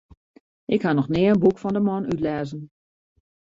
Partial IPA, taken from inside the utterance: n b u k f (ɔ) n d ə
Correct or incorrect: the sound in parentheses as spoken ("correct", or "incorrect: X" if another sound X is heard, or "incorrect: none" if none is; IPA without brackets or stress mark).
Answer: correct